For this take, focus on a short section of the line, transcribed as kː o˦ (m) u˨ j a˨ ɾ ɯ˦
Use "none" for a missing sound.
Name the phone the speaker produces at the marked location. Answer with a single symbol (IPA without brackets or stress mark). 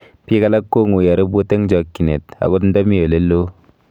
ŋ